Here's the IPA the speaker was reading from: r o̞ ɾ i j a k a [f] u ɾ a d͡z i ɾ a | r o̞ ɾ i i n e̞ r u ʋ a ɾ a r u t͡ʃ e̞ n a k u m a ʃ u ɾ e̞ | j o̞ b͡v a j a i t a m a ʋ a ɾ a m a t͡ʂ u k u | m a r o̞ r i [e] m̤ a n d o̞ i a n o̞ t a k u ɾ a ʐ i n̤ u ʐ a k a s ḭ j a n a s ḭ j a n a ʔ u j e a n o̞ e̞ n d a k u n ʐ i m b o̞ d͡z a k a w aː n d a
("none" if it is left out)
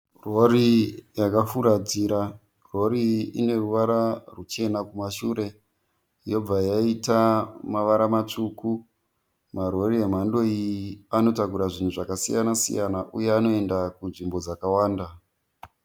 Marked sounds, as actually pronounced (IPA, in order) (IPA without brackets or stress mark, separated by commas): f, e